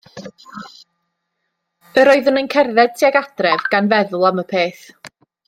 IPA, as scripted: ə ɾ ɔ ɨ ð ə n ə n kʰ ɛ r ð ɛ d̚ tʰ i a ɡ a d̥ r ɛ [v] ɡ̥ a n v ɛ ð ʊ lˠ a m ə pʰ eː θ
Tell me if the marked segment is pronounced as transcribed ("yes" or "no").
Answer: yes